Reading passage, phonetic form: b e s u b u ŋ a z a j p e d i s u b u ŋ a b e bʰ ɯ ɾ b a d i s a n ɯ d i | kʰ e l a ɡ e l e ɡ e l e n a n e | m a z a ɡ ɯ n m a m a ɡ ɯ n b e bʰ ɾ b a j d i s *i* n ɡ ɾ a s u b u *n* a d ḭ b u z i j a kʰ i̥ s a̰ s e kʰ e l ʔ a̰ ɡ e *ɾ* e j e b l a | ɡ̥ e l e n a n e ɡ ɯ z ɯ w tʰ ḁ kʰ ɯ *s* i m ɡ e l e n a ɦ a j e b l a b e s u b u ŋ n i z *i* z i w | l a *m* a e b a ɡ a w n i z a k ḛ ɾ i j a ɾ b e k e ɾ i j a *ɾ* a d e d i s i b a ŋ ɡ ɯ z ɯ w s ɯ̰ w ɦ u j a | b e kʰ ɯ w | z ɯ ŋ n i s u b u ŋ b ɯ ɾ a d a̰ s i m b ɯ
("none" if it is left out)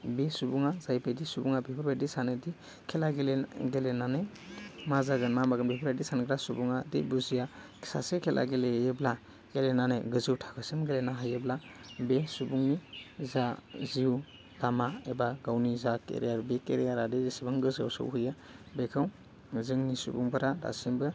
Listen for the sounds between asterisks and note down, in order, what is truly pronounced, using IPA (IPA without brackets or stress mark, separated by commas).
a, ŋ, l, s, a, m, ɾ